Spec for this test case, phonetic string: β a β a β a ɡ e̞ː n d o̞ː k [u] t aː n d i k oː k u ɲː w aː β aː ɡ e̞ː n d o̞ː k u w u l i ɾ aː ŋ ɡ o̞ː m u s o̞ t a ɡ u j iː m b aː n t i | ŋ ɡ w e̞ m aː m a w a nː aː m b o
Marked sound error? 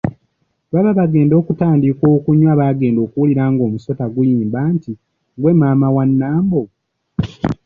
no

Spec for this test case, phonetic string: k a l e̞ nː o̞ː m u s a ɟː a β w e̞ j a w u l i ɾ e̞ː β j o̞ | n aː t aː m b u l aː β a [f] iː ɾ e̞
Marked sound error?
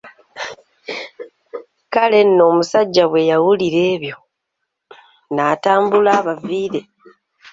yes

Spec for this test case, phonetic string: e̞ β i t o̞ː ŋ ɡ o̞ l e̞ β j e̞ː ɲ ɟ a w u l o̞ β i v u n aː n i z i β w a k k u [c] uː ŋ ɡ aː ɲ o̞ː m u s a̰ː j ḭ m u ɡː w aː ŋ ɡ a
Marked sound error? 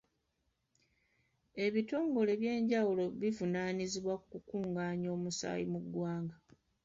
yes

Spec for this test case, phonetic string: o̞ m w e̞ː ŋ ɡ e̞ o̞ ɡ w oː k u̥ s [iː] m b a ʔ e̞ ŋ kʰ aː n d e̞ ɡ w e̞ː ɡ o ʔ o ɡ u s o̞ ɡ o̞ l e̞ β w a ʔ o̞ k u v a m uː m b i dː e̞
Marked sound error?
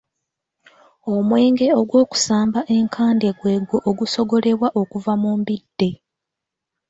yes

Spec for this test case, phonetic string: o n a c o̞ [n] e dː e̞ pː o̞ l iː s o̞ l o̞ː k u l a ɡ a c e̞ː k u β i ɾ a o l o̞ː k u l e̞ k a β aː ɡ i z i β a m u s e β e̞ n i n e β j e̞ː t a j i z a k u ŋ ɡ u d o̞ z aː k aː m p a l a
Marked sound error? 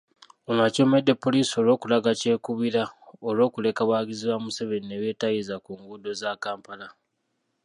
yes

